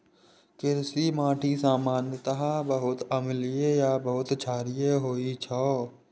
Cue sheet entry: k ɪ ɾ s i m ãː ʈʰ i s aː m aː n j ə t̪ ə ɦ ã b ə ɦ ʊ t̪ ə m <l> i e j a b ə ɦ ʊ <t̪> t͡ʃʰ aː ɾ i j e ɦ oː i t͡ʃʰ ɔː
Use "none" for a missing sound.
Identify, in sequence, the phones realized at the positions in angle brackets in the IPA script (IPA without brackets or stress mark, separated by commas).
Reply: l, t̪